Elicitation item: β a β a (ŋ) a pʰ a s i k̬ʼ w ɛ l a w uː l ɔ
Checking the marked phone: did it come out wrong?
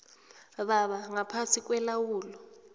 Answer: no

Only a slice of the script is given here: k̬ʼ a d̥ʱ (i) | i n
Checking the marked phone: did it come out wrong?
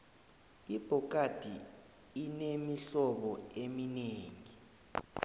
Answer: no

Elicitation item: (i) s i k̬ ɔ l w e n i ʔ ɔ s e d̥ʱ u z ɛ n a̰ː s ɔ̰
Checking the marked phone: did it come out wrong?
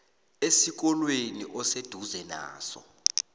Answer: yes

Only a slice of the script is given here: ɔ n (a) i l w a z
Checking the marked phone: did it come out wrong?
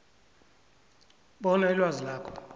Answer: no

